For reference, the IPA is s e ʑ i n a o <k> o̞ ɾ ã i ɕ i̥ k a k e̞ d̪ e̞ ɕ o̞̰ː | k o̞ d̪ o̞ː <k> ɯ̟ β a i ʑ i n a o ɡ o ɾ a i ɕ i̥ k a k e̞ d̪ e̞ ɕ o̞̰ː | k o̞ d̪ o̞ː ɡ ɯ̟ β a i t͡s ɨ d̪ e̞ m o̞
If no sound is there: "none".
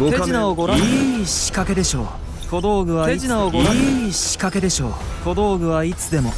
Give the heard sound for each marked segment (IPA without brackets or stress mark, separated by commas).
ɡ, ɡ